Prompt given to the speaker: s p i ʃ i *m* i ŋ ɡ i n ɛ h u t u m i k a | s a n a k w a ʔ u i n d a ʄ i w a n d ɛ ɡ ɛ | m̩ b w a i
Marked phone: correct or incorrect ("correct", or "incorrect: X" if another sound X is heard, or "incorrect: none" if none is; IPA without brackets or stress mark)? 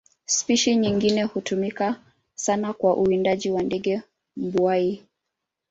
incorrect: ɲ